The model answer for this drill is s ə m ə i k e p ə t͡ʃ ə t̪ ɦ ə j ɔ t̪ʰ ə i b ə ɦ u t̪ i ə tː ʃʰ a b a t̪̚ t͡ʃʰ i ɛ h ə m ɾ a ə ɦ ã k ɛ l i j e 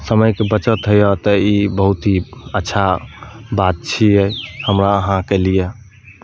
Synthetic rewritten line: s ə m ə j k e b ə t͡ʃ ə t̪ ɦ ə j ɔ t̪ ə i b ə ɦ u t̪ i ə tː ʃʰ a b a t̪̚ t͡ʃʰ i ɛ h ə m ɾ a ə ɦ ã k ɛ l i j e